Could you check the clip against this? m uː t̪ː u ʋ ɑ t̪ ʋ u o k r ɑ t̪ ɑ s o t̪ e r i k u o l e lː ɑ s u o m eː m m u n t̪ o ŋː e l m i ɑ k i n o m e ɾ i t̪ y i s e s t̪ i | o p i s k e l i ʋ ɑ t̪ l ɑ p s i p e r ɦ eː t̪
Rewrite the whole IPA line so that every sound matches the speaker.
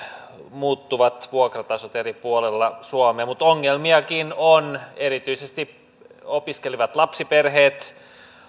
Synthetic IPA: m uː t̪ː u ʋ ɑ t̪ ʋ u o k r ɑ t̪ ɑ s o t̪ e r i p u o l e lː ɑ s u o m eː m m u t̪ o ŋː e l m i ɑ k i n o n e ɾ i t̪ y i s e s t̪ i | o p i s k e l i ʋ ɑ t̪ l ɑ p s i p e r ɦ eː t̪